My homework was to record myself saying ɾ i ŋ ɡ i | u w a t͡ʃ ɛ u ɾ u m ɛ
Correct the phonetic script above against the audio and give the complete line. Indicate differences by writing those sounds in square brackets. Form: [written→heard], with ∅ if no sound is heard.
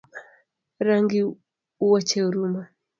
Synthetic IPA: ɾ [i→a] ŋ ɡ i | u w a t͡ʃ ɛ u ɾ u m [ɛ→a]